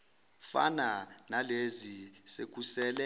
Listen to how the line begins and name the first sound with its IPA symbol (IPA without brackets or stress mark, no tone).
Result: f